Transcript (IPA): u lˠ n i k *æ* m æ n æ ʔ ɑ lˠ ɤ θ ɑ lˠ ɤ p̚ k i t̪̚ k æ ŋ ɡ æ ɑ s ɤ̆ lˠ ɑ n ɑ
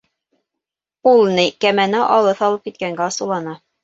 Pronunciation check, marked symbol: correct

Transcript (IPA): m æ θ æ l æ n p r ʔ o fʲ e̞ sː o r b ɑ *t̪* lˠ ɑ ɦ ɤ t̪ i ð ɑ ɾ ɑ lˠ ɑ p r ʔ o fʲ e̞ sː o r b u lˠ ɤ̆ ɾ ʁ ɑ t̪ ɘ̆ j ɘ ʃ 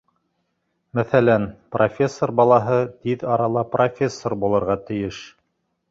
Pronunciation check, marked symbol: incorrect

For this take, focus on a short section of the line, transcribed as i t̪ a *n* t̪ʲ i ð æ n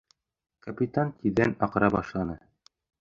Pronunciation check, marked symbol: correct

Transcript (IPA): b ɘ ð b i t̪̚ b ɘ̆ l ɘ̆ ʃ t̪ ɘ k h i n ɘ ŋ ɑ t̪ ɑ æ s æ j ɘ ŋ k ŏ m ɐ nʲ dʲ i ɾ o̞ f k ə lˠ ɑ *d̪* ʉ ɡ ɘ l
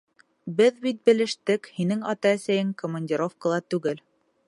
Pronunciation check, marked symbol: incorrect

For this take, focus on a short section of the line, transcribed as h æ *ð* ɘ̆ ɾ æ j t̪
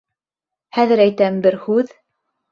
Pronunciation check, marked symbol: correct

